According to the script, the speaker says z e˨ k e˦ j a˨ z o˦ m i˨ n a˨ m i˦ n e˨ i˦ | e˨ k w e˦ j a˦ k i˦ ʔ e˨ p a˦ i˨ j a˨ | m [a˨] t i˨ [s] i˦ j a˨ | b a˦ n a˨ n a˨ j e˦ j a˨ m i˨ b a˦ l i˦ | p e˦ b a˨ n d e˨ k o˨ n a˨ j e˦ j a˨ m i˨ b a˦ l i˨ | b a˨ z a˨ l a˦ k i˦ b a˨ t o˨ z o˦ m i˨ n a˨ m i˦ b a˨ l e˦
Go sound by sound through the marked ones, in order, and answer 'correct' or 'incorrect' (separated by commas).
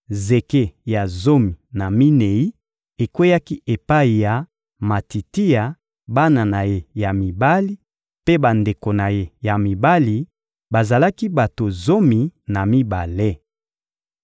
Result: correct, incorrect